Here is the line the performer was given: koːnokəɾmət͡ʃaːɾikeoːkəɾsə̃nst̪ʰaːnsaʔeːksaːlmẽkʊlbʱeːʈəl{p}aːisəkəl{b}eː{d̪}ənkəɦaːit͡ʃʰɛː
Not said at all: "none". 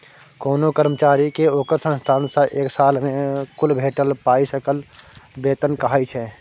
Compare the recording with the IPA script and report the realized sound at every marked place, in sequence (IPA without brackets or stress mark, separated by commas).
p, b, t̪